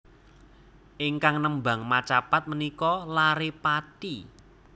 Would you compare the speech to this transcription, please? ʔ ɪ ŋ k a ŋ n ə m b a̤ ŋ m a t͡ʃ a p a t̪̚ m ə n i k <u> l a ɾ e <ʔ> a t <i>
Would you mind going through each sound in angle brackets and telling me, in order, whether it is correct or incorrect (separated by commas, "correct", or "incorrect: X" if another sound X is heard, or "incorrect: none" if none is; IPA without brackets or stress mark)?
incorrect: ɔ, incorrect: p, correct